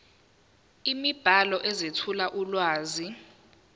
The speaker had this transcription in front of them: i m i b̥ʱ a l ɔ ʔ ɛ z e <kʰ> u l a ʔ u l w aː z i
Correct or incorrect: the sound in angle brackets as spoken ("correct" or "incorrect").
incorrect